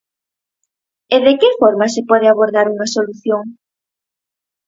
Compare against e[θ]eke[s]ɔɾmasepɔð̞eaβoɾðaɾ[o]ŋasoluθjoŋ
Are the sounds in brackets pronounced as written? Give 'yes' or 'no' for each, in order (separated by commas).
no, no, no